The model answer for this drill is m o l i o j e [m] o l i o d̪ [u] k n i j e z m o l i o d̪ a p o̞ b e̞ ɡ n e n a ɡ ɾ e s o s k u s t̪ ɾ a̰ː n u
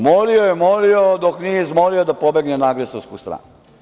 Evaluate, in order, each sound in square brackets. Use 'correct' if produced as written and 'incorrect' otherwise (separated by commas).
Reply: correct, incorrect